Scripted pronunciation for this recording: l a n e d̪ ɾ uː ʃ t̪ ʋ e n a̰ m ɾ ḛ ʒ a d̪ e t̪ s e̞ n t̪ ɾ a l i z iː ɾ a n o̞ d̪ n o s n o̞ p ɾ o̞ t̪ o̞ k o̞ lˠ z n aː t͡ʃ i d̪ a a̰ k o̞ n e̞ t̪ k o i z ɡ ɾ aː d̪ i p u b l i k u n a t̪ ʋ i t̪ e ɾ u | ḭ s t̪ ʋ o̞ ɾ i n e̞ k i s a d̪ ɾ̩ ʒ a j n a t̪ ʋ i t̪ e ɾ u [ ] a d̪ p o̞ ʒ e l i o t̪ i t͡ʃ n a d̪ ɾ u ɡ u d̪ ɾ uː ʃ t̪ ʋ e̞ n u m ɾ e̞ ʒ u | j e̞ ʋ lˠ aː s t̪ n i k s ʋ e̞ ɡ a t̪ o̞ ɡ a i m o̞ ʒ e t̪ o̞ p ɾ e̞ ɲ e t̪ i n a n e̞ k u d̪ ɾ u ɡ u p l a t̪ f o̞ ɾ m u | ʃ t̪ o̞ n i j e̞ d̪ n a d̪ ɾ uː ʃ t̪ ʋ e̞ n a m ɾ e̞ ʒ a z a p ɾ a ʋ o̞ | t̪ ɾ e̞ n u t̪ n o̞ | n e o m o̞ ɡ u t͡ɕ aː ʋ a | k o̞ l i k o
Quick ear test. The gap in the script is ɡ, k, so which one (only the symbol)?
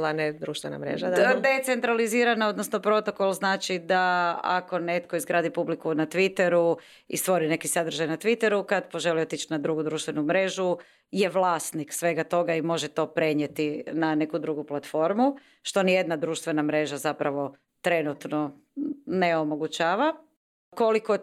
k